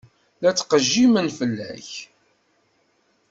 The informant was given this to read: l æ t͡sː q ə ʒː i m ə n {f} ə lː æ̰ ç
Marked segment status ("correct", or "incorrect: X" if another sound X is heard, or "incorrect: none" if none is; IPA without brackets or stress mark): correct